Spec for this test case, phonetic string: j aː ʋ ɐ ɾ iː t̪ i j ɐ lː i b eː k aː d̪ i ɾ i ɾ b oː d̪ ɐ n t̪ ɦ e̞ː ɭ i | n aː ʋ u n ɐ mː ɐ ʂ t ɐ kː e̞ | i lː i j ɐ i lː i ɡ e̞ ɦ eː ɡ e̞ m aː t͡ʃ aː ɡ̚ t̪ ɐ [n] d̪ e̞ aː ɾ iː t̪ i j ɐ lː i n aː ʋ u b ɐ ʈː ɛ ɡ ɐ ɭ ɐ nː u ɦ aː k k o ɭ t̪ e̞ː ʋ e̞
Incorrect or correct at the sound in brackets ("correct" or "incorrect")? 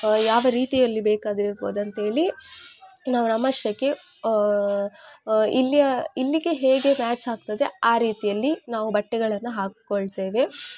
incorrect